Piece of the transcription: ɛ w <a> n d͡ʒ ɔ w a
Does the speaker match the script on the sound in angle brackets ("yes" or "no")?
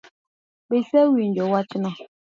no